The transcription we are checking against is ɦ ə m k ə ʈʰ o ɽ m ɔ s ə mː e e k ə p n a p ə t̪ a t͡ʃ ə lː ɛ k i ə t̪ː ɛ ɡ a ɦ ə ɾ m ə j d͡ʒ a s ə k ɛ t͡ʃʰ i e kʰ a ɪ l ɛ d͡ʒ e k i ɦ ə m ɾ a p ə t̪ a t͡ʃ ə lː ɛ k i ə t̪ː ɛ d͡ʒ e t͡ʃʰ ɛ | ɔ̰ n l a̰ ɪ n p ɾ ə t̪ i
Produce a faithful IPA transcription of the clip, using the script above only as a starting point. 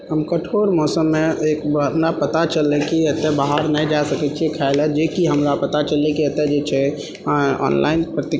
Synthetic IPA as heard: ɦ ə m k ə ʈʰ o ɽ m ɔ s ə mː e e k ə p n a p ə t̪ a t͡ʃ ə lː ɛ k i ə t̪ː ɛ b a ɦ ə ɾ n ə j d͡ʒ a s ə k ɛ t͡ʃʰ i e kʰ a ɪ l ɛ d͡ʒ e k i ɦ ə m ɾ a p ə t̪ a t͡ʃ ə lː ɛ k i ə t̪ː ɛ d͡ʒ e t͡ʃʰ ɛ | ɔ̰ n l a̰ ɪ n p ɾ ə t̪ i